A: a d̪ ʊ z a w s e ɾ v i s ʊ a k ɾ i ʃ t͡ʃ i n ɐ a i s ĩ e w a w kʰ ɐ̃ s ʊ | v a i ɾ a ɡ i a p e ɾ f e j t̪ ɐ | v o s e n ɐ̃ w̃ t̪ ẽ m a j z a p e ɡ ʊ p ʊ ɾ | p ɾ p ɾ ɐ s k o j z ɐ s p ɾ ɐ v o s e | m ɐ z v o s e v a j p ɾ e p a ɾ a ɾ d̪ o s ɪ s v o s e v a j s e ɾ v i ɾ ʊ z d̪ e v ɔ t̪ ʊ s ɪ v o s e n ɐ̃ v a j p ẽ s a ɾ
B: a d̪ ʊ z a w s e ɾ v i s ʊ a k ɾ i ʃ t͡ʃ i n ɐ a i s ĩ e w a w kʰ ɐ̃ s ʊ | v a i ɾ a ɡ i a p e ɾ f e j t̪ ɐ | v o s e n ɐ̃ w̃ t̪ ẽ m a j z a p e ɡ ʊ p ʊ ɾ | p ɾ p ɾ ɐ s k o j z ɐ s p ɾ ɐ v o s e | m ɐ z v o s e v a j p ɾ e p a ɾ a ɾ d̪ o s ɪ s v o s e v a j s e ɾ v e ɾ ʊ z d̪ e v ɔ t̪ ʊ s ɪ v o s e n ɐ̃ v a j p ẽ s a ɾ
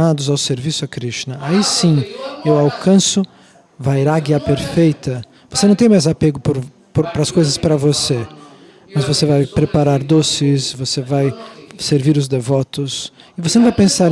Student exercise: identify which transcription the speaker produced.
A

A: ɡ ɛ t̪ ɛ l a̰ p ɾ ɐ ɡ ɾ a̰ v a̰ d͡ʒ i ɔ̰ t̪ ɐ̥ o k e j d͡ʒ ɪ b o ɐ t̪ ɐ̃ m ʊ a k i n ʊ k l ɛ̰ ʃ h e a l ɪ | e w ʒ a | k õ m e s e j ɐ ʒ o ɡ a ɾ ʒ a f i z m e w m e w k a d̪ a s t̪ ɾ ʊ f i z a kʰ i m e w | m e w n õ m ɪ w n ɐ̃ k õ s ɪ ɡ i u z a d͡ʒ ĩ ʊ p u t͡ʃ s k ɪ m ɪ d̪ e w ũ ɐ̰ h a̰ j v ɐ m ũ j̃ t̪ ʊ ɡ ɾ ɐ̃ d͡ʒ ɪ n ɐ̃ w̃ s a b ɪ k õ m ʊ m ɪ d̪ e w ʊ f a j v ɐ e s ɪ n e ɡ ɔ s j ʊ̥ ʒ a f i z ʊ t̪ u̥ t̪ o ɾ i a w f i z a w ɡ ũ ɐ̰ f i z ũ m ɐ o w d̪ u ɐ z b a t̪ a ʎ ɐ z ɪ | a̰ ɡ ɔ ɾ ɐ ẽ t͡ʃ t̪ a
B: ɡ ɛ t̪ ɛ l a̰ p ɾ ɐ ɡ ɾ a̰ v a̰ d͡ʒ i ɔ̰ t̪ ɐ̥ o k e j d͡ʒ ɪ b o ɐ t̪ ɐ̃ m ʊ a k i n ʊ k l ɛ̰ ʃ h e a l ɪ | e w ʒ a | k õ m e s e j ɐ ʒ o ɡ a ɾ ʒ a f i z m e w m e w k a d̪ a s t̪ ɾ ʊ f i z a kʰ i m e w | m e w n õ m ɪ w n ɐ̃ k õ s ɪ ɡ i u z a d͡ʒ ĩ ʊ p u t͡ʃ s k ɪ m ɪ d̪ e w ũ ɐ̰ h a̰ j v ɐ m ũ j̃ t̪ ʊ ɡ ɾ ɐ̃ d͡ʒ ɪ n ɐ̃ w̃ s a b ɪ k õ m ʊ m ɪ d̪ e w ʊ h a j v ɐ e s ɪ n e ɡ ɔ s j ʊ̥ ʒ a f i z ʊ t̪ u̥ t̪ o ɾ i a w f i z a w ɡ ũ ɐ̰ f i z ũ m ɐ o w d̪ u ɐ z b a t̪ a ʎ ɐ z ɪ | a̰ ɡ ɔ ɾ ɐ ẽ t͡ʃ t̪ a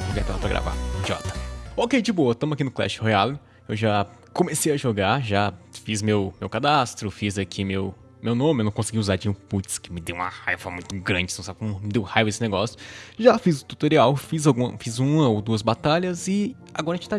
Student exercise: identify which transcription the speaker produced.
B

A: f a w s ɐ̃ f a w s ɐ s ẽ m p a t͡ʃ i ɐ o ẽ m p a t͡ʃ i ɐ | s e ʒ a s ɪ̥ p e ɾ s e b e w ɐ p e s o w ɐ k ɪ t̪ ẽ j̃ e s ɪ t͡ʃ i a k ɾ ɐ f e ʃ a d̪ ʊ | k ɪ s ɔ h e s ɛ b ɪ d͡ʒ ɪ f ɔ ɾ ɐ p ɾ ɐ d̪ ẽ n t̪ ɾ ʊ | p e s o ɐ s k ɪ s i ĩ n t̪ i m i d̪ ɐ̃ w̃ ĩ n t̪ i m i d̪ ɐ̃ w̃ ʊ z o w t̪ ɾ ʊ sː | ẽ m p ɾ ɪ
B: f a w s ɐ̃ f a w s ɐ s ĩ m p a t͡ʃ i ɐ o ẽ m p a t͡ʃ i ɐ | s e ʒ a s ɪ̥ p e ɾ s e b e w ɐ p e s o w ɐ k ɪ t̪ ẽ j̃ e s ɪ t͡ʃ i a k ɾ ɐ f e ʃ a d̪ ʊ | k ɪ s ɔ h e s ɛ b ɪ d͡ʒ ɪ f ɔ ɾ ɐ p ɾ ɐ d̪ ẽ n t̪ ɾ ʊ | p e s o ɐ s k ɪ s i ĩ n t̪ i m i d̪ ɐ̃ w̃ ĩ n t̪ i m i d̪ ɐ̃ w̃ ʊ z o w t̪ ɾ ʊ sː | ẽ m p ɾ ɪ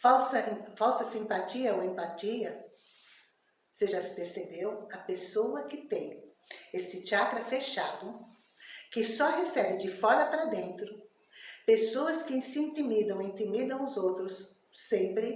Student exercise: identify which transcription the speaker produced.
B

